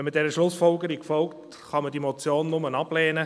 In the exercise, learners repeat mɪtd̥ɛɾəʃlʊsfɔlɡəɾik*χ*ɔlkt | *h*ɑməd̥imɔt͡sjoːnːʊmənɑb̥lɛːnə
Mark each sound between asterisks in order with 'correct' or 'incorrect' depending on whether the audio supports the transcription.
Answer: incorrect, incorrect

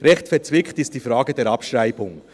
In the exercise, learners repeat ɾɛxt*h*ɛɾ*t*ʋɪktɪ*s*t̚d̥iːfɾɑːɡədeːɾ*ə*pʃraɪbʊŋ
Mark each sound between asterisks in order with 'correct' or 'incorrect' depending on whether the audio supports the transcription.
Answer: incorrect, incorrect, correct, incorrect

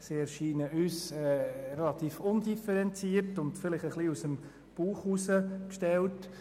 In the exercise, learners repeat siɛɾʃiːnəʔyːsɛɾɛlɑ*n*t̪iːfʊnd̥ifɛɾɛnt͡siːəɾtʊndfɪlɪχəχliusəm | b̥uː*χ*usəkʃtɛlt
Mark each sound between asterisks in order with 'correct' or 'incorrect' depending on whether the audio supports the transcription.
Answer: incorrect, correct

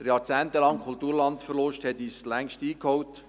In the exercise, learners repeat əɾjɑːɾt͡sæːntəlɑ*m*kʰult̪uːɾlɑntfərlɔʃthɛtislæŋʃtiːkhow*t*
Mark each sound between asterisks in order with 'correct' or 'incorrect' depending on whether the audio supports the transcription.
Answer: incorrect, correct

